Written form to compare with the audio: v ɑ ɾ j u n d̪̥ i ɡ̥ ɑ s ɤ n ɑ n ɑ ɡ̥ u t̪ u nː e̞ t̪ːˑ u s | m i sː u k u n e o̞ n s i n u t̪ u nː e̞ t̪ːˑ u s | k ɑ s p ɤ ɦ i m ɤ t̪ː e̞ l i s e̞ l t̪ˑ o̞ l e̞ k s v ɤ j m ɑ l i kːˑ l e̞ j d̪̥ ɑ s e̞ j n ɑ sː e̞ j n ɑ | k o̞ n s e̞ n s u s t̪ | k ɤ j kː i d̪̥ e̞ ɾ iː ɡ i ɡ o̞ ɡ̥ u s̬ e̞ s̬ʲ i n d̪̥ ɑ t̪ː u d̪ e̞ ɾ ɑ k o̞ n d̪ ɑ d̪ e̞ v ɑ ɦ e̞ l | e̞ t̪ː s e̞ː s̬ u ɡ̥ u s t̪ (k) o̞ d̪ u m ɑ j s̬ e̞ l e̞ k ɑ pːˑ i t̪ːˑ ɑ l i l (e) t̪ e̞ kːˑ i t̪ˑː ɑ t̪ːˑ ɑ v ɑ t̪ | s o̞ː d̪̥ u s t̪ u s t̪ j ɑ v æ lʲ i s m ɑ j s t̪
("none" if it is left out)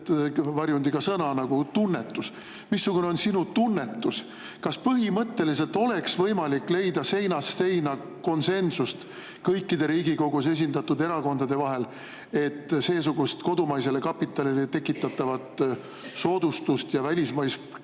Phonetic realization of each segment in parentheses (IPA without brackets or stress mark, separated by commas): k, e